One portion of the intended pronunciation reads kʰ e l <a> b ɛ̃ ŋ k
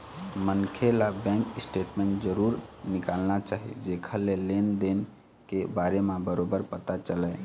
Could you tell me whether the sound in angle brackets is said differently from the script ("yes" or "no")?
no